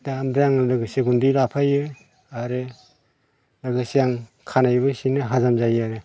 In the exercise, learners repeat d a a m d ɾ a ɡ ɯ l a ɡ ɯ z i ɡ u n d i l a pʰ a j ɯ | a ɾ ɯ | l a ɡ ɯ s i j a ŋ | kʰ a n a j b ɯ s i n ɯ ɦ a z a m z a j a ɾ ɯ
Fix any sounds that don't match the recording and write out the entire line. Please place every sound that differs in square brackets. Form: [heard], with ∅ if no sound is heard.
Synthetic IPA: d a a m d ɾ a [ŋ] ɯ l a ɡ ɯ [s] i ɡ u n d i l a pʰ a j ɯ | a ɾ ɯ | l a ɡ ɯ s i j a ŋ | kʰ a n a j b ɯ s i n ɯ ɦ a z a m z a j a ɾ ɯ